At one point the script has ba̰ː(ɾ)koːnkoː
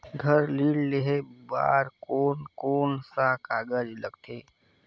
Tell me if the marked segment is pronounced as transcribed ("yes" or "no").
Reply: yes